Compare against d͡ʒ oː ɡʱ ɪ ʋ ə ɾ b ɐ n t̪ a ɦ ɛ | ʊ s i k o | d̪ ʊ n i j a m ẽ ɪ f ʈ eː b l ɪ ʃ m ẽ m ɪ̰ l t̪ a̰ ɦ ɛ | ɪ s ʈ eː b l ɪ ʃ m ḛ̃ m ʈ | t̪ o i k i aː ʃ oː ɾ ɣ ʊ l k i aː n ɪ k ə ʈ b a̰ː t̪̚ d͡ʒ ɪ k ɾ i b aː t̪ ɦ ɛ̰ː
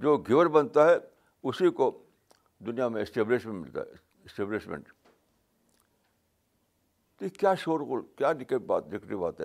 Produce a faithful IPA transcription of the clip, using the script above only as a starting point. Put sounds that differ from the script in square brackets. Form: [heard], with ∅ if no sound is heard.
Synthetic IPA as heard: d͡ʒ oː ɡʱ ɪ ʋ ə ɾ b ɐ n t̪ a ɦ ɛ | ʊ s i k o | d̪ ʊ n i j a m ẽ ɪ [s] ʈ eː b l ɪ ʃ m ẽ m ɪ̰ l t̪ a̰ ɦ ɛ | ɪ s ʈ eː b l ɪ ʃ m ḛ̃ [ɳ] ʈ | t̪ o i k [j] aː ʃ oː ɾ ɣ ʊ l k [j] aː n ɪ k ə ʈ b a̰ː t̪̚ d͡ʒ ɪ k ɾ i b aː t̪ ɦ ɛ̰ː